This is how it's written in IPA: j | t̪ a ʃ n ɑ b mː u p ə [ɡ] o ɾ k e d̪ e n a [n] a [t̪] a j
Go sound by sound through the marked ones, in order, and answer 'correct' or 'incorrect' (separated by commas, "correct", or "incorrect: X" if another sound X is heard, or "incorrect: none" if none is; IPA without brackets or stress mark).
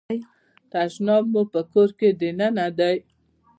incorrect: k, correct, incorrect: d̪